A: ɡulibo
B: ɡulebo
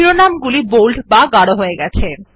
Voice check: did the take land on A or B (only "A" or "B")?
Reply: A